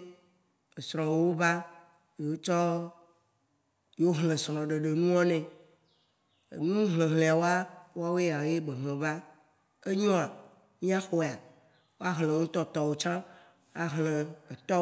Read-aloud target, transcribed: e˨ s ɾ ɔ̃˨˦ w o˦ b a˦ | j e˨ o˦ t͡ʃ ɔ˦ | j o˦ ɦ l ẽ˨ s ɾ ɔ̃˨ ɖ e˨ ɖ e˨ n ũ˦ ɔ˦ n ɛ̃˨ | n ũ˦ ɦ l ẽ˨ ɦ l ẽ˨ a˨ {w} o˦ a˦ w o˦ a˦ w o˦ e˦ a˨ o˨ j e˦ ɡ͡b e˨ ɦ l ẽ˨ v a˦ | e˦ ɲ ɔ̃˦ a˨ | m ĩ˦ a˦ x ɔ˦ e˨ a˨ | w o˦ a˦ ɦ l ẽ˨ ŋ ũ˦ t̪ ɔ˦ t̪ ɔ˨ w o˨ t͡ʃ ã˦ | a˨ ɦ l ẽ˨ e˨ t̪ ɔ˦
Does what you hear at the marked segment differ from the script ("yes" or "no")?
no